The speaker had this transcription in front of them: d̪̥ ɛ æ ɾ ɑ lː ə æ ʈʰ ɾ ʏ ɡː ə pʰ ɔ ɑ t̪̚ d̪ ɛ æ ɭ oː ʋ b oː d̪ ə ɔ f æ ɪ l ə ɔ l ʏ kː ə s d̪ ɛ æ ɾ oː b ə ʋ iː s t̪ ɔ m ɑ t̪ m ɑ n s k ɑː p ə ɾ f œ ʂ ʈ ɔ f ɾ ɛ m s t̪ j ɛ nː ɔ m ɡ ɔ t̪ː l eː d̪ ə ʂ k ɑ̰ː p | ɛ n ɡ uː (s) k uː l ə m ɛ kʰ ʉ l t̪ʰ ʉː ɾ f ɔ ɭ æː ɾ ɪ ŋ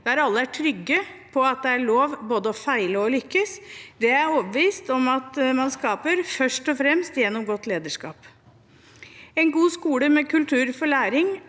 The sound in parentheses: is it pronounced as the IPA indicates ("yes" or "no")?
yes